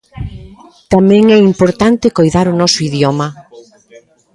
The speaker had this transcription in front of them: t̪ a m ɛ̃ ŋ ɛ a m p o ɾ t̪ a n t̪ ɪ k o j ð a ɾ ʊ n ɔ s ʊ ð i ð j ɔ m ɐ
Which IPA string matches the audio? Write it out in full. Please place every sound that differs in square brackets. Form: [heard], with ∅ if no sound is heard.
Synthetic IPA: t̪ a m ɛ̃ ŋ ɛ [i] m p o ɾ t̪ a n t̪ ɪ k o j ð a ɾ ʊ n ɔ s ʊ [∅] i ð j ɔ m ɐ